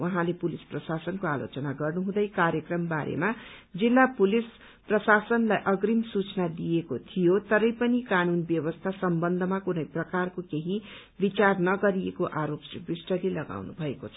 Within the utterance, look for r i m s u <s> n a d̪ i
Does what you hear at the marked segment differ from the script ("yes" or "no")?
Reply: yes